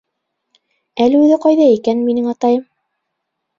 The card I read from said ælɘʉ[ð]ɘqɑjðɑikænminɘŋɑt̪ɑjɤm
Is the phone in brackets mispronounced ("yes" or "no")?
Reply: no